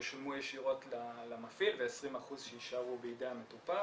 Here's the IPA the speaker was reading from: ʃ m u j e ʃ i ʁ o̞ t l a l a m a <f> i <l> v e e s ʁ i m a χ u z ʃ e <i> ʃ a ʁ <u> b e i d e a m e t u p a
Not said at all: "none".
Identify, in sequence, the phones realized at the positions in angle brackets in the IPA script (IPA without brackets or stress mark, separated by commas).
f, l, i, u